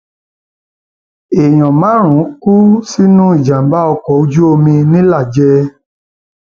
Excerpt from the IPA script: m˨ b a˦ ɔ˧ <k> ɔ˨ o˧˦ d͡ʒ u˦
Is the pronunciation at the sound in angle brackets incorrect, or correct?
correct